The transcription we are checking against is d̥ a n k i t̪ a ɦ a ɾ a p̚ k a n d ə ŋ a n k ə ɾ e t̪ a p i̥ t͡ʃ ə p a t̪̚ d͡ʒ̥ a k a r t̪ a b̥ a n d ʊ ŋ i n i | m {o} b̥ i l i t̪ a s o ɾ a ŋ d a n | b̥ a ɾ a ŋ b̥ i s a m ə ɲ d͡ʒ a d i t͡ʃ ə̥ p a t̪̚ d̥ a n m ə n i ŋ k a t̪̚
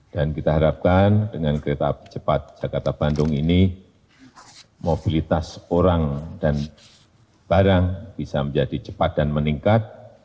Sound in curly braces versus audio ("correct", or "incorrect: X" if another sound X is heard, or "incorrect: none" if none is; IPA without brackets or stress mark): correct